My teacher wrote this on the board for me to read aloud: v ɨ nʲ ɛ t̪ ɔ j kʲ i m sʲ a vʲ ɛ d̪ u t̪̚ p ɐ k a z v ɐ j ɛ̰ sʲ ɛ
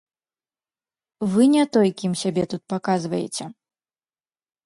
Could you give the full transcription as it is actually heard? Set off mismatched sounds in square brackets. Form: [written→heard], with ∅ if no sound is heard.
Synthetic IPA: v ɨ nʲ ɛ t̪ ɔ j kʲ i m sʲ a [vʲ→bʲ] ɛ [d̪→t̪] u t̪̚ p [ɐ→a] k a z v ɐ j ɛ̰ [sʲ→t͡sʲ] ɛ